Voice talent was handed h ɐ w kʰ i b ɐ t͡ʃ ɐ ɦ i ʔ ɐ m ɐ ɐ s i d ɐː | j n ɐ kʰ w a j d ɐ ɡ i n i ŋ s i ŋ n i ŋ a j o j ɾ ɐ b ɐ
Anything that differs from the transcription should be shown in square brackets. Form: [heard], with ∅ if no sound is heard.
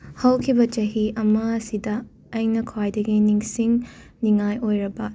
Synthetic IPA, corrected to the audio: h ɐ w kʰ i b ɐ t͡ʃ ɐ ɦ i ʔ ɐ m ɐ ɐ s i d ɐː | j n ɐ kʰ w a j d ɐ ɡ i n i ŋ s i ŋ n i ŋ a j o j ɾ ɐ b ɐ